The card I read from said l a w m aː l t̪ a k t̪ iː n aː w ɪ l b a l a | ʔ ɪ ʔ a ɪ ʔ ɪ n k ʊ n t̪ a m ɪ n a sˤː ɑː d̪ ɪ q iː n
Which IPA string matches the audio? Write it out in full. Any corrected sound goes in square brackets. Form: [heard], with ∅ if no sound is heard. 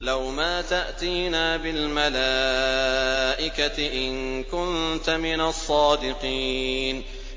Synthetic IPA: l a w m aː [∅] t̪ a [ʔ] t̪ iː n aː [b] ɪ l [m] a l a | ʔ ɪ [k] a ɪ ʔ ɪ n k ʊ n t̪ a m ɪ n a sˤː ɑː d̪ ɪ q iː n

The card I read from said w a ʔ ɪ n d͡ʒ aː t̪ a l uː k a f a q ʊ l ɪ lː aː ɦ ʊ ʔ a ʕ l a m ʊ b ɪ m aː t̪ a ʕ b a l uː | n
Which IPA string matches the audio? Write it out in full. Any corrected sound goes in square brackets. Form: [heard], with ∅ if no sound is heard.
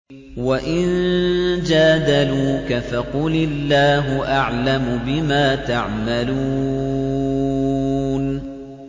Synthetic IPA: w a ʔ ɪ n d͡ʒ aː [d̪] a l uː k a f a q ʊ l ɪ lː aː ɦ ʊ ʔ a ʕ l a m ʊ b ɪ m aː t̪ a ʕ [m] a l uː | n

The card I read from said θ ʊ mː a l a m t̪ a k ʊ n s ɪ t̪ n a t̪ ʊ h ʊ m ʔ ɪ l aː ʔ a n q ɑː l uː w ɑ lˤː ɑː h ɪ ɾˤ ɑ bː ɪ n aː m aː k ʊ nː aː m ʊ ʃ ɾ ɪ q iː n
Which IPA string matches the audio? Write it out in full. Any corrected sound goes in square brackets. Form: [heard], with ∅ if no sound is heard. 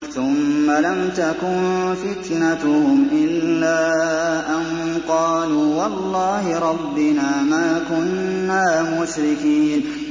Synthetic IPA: θ ʊ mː a l a m t̪ a k ʊ n [f] ɪ t̪ n a t̪ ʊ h ʊ m ʔ ɪ [lː] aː ʔ a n q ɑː l uː w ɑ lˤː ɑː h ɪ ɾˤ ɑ bː ɪ n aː m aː k ʊ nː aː m ʊ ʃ ɾ ɪ [k] iː n

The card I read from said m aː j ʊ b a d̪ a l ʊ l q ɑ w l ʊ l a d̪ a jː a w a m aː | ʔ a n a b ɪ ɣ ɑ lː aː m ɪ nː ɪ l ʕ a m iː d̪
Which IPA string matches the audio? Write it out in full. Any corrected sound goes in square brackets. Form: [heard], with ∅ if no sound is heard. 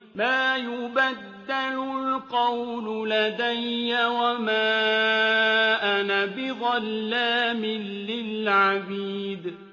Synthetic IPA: m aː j ʊ b a [d̪ː] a l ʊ l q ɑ w l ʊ l a d̪ a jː a w a m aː | ʔ a n a b ɪ ɣ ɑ lː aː m ɪ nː ɪ l ʕ a [b] iː d̪

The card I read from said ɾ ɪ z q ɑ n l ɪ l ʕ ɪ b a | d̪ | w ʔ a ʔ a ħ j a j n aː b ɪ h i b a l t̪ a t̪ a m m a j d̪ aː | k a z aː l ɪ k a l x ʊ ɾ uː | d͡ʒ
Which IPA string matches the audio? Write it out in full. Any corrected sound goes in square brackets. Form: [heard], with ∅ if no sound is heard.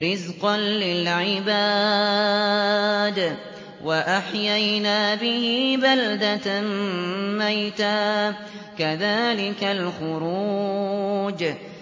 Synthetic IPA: ɾ ɪ z q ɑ n l ɪ l ʕ ɪ b a | d̪ | w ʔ a ʔ a ħ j a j n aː b ɪ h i b a l [d̪] a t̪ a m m a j [t̪] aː | k a [ð] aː l ɪ k a l x ʊ ɾ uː | d͡ʒ

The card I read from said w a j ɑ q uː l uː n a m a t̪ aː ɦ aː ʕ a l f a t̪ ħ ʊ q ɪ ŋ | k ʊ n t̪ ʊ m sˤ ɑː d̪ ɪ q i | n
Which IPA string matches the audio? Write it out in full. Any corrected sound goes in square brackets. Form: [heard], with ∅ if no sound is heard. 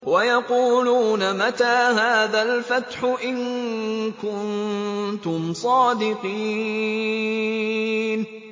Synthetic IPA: w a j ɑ q uː l uː n a m a t̪ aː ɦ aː [ð] a l f a t̪ ħ ʊ [ʔ] ɪ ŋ | k ʊ n t̪ ʊ m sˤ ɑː d̪ ɪ q [iː] | n

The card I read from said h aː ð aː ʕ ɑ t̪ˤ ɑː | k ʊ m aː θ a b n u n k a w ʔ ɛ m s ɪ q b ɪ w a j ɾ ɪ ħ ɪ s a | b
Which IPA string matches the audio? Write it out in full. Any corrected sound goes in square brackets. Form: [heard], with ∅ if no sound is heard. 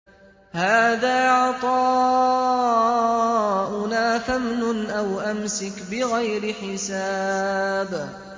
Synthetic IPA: h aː ð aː ʕ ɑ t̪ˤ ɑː | [ʔ] ʊ [n] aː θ a [m] n [ʊ] n [ʔ] a w ʔ [a] m s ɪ [k] b ɪ [ɣ] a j ɾ ɪ ħ ɪ s a | b

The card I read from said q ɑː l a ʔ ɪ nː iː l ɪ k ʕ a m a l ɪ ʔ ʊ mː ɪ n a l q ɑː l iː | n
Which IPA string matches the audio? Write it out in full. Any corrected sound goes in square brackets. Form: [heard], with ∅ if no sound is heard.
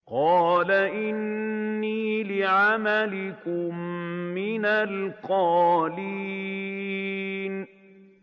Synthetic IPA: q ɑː l a ʔ ɪ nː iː l ɪ [∅] ʕ a m a l ɪ [k] ʊ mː ɪ n a l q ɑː l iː | n

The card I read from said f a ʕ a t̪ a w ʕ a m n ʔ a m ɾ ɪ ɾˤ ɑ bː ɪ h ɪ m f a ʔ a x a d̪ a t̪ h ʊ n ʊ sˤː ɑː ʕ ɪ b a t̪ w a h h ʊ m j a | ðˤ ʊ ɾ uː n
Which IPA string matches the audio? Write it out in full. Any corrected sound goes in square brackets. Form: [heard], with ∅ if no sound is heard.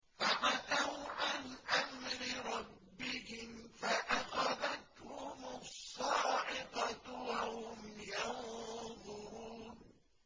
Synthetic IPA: f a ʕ a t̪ a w ʕ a [∅] n ʔ a m ɾ ɪ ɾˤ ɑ bː ɪ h ɪ m f a ʔ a x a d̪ a t̪ h ʊ [m] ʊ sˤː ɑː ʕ ɪ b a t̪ w a h h ʊ m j a | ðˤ ʊ ɾ uː n

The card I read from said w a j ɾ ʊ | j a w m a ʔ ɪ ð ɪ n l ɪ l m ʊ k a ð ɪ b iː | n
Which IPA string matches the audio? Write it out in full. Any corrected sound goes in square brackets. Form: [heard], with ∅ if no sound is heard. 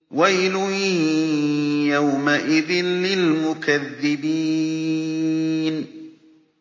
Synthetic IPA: w a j [l] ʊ | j a w m a ʔ ɪ ð ɪ n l ɪ l m ʊ k a [ðː] ɪ b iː | n

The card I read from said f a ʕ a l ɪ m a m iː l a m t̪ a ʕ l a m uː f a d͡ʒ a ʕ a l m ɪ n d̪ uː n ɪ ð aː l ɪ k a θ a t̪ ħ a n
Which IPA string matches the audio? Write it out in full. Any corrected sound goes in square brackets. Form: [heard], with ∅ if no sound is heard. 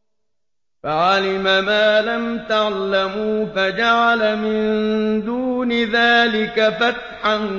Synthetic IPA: f a ʕ a l ɪ m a m [aː] l a m t̪ a ʕ l a m uː f a d͡ʒ a ʕ a l m ɪ n d̪ uː n ɪ ð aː l ɪ k a [f] a t̪ ħ a n

